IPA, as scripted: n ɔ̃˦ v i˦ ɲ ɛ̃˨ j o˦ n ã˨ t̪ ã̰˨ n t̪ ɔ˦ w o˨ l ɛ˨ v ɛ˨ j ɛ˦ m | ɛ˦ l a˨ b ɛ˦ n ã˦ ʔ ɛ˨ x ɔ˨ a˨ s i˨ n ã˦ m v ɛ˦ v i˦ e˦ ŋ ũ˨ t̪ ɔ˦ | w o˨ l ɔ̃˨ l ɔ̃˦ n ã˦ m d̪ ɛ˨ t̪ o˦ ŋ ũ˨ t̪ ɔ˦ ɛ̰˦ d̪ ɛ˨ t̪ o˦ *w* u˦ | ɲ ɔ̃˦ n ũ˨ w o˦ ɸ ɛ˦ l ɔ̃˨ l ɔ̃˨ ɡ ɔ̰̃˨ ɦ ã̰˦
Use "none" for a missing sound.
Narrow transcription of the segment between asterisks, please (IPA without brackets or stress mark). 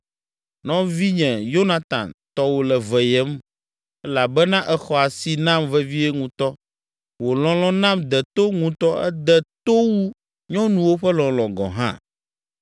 w